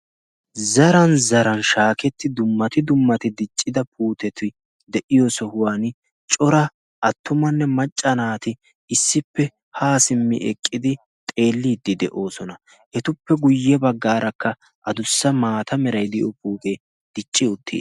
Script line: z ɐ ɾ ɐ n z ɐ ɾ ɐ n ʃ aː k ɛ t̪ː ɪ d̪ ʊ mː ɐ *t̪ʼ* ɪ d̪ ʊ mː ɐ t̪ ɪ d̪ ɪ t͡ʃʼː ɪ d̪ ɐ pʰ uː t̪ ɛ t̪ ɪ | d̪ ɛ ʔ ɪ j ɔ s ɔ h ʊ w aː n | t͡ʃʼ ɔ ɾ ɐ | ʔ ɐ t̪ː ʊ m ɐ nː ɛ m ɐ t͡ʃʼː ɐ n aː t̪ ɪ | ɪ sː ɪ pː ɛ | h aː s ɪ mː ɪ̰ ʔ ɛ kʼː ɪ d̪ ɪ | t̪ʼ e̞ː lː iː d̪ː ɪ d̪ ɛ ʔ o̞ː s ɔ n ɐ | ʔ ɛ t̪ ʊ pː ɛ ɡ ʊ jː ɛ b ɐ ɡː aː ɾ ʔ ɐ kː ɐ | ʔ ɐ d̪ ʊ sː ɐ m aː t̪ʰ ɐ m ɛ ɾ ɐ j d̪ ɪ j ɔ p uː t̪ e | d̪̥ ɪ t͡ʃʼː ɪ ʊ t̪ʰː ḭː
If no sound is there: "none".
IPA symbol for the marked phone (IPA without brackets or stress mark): t̪